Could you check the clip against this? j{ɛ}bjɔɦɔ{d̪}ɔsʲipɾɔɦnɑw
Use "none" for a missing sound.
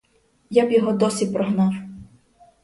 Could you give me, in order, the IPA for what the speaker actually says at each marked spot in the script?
a, d̪

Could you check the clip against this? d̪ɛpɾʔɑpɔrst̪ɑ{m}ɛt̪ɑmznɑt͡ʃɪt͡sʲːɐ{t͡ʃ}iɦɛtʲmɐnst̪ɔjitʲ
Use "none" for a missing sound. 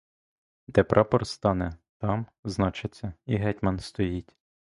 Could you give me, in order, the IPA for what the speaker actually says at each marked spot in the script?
n, none

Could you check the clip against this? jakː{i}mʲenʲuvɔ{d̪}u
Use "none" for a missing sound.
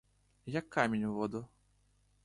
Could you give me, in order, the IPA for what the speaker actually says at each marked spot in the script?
a, d̪

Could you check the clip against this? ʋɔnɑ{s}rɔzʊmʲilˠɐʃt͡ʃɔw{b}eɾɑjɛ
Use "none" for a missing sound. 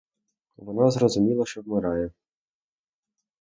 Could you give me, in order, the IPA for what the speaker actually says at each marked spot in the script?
z, m

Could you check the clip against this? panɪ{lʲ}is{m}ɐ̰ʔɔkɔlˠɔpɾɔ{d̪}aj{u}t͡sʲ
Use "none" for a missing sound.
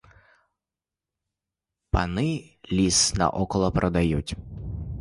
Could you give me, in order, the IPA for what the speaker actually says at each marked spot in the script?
lʲ, n, d̪, u

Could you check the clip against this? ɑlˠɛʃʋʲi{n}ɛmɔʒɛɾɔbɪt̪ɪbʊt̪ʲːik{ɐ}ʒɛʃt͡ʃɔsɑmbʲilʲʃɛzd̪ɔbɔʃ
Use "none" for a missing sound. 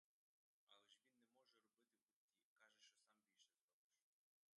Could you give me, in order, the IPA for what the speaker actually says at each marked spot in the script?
nː, ɑ

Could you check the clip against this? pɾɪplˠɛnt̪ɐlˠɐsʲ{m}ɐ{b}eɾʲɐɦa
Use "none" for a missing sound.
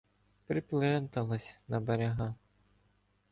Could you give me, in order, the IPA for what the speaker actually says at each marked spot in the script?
n, b

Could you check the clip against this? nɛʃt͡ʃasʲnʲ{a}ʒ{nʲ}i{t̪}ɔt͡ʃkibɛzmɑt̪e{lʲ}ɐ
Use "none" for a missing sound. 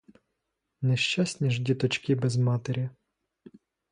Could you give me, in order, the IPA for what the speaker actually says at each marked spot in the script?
i, dʲ, t̪, ɾʲ

